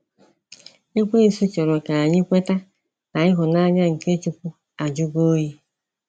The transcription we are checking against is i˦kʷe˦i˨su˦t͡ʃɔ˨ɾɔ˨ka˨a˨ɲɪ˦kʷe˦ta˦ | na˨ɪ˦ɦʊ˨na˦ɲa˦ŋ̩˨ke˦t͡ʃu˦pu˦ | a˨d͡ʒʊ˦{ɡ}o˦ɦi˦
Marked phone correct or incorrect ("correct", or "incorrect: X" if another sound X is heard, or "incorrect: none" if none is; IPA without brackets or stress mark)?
correct